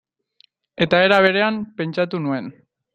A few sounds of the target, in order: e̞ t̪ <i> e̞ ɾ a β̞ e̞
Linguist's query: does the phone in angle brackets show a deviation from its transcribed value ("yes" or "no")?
yes